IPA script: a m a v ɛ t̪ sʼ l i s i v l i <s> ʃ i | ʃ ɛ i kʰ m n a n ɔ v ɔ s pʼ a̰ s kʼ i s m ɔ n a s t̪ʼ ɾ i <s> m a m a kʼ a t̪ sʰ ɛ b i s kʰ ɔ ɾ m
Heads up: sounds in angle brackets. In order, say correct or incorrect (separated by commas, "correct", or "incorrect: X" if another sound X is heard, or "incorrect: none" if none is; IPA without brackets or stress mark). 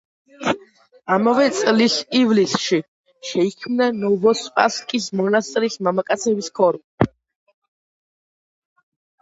correct, correct